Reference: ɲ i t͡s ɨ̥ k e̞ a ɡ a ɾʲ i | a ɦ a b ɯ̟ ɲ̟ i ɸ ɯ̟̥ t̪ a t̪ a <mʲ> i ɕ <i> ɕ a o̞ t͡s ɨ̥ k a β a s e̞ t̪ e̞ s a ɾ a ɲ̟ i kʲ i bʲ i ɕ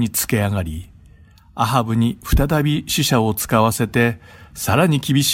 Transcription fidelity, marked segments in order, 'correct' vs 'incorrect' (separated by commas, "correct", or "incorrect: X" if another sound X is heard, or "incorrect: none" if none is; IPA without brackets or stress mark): incorrect: bʲ, correct